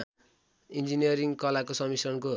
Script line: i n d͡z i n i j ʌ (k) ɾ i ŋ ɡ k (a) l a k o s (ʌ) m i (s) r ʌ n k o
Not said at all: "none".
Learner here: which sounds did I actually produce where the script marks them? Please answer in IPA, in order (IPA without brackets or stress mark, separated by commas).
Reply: none, ʌ, ʌ, s